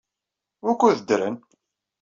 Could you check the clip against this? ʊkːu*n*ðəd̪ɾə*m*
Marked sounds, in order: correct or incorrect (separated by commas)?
incorrect, incorrect